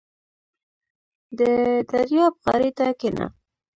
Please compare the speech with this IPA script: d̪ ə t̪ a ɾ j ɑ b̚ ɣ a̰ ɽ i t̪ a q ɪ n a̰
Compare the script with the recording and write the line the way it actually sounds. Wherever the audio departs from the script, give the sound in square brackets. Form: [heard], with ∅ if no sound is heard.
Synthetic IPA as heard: d̪ ə [d̪] a ɾ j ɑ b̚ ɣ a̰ [ɾ] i t̪ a [k] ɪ n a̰

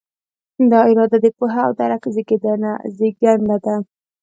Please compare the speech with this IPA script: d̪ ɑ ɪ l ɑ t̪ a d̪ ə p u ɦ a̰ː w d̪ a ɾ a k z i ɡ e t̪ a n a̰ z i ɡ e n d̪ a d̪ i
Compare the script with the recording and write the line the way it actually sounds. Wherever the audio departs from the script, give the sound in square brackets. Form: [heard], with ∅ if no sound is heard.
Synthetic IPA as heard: d̪ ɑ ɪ [ɾ] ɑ [d̪] a d̪ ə p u ɦ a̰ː w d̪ a ɾ a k z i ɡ e [d̪] a n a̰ z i ɡ [a] n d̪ a d̪ [a]

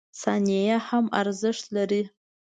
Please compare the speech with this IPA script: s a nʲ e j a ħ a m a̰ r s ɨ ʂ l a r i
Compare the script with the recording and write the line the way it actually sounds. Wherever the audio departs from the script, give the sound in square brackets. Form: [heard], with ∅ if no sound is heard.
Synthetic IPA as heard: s a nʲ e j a ħ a m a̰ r [z] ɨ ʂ l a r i

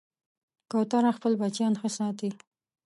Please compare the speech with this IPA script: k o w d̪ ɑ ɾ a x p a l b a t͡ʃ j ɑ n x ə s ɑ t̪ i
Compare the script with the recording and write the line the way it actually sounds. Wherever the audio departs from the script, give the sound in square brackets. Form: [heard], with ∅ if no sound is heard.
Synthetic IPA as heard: k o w [t̪] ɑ ɾ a x p [ə] l b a t͡ʃ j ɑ n x ə s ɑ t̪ i

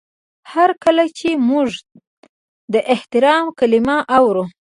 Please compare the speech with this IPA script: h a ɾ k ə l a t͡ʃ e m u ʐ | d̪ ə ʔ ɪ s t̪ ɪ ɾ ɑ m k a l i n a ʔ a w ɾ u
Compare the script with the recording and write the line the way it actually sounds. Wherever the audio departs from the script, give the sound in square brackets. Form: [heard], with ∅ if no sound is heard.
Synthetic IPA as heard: h a ɾ k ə l a t͡ʃ e m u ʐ | d̪ ə ʔ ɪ [h] t̪ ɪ ɾ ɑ m k a l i [m] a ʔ a w ɾ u

